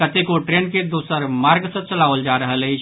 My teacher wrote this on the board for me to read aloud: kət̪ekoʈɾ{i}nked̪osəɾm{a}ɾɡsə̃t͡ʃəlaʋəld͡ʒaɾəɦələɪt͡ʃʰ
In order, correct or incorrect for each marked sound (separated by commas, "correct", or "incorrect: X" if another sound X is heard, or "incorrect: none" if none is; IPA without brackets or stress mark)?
incorrect: e, correct